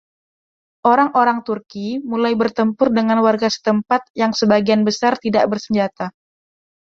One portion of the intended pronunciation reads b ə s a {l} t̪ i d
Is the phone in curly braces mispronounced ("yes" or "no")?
yes